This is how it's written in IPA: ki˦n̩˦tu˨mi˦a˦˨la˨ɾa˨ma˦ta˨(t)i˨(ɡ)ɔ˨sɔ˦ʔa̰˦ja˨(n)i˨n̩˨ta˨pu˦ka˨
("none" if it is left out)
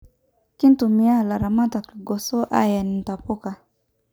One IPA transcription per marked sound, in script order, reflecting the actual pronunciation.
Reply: k, ɡ, n

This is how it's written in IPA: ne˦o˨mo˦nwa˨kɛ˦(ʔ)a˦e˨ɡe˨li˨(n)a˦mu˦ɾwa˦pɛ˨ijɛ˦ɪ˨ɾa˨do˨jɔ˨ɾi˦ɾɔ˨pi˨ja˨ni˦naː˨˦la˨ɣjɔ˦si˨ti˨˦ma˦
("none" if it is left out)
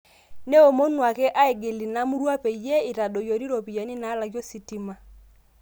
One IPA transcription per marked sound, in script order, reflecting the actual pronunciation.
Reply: ʔ, n

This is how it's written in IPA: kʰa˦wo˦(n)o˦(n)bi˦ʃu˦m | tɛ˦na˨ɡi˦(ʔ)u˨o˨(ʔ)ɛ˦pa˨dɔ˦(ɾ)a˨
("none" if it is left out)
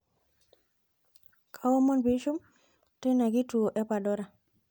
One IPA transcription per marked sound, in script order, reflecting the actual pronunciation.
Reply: m, n, t, ʔ, ɾ

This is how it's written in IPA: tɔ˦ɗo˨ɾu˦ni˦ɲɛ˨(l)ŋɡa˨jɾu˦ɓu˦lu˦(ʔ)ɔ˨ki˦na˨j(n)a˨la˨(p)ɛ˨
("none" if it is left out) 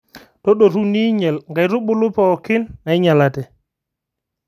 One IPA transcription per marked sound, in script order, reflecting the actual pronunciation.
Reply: l, p, ɲ, t

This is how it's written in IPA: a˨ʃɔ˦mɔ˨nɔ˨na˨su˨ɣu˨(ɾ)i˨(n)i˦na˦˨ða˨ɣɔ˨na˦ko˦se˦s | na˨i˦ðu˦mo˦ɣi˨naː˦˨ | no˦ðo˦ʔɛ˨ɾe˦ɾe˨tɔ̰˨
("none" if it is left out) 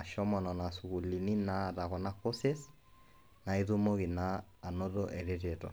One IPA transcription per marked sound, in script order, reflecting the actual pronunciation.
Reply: l, n

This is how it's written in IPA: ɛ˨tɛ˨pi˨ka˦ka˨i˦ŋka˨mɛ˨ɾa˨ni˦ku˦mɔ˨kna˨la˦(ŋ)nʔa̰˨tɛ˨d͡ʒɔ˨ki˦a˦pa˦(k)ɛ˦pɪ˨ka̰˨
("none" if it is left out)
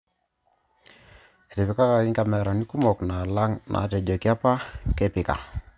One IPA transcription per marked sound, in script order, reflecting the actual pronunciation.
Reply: ŋ, k

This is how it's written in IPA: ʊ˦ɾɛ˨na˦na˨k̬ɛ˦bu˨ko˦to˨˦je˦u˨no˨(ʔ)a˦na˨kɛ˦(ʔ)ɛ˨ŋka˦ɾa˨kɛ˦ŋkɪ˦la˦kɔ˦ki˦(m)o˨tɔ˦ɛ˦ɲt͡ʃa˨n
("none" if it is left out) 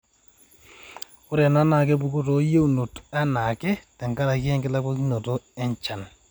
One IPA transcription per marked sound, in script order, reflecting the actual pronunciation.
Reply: t, t, n

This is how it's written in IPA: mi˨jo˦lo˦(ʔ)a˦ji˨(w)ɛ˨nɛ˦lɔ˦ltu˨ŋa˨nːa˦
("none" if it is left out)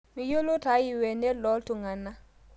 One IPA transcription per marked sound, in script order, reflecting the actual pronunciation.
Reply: t, w

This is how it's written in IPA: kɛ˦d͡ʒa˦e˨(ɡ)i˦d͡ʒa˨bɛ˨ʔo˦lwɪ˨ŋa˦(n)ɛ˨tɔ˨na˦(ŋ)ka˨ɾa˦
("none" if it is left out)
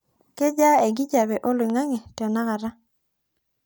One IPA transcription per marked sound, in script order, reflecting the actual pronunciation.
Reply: ɡ, ŋ, none

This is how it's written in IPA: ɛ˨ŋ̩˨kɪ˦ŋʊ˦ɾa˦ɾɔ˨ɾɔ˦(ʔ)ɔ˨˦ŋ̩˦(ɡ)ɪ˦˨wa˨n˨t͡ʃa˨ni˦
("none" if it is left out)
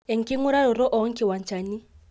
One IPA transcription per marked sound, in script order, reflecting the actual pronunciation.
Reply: ʔ, k

